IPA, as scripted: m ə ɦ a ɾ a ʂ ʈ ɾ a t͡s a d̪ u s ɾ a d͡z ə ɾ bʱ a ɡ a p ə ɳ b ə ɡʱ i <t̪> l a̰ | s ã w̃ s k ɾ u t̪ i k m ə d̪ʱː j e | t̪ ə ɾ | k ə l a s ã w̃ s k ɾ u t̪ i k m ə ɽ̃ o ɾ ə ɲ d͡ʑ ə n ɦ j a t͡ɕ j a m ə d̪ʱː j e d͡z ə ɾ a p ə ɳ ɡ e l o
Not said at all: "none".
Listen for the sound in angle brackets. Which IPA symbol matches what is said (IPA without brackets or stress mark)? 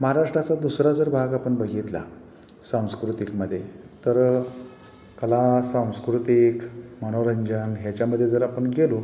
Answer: t̪